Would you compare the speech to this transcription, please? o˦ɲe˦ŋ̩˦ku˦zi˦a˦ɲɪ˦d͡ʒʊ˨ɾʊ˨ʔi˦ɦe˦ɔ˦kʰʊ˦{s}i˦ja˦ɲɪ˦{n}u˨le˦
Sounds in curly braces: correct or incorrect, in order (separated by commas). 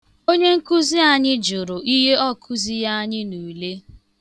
incorrect, correct